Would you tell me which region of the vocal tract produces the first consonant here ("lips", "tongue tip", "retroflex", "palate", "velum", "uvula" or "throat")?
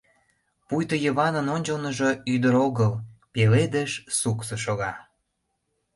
lips